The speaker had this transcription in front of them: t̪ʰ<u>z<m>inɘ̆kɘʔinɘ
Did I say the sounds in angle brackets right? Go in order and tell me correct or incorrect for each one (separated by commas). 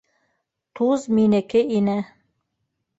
correct, correct